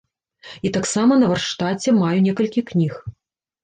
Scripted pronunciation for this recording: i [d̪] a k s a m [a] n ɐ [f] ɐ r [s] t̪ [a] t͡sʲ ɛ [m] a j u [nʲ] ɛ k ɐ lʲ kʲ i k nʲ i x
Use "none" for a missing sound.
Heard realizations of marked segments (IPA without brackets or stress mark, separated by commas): t̪, ɐ, v, ʂ, a, m, nʲ